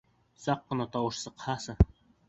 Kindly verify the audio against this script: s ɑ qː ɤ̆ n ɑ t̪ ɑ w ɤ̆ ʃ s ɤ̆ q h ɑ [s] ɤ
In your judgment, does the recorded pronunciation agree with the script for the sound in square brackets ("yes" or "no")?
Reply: yes